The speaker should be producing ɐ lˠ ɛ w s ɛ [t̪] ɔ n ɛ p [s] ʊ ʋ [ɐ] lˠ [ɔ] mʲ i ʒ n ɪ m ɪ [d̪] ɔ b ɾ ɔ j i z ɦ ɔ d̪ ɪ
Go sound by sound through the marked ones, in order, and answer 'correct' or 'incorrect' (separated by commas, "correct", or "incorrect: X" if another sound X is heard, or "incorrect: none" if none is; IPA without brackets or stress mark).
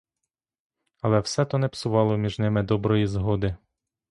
correct, correct, incorrect: ɑ, correct, correct